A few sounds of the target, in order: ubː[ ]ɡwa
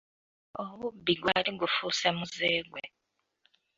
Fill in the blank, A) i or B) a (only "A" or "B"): A